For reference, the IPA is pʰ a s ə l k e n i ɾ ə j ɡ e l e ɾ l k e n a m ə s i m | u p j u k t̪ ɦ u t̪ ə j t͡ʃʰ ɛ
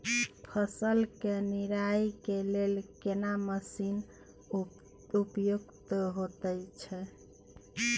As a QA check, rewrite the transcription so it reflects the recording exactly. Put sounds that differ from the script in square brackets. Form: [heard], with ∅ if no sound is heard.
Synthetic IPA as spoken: pʰ [ə] s ə l k e n i ɾ [a] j [k] e l e [∅] l k e n a m ə s i [n] | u p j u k t̪ ɦ [o] t̪ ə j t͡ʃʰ ɛ